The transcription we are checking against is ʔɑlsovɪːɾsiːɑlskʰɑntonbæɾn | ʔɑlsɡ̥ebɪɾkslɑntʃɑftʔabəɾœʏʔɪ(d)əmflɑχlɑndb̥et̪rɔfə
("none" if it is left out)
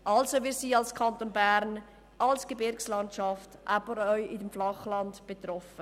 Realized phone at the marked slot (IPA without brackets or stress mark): d